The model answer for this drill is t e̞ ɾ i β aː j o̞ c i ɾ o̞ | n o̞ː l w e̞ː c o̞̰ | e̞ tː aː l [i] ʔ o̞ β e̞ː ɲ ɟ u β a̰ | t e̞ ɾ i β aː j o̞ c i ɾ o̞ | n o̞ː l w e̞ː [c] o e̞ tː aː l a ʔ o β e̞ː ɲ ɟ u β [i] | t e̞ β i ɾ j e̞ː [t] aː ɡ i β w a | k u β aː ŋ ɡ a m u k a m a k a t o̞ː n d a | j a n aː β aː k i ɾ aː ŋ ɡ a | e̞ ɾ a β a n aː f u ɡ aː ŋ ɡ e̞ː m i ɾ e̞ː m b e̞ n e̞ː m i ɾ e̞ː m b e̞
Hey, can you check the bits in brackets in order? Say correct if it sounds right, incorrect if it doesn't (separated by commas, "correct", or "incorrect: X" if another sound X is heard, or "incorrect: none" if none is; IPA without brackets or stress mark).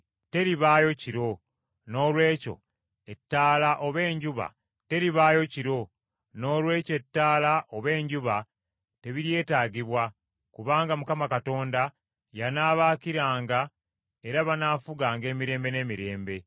incorrect: a, correct, incorrect: a, correct